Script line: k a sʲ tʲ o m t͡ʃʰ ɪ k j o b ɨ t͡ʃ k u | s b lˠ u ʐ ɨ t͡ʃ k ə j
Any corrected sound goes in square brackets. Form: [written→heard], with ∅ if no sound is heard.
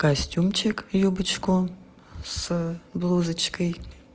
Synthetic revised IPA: k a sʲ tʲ [o→u] m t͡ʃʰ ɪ k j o b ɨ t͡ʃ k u | s b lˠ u [ʐ→z] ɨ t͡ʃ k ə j